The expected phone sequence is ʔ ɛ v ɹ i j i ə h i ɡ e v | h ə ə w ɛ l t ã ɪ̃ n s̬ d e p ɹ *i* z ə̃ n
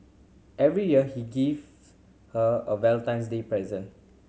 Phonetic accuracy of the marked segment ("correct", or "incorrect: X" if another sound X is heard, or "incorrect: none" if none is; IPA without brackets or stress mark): incorrect: ɛ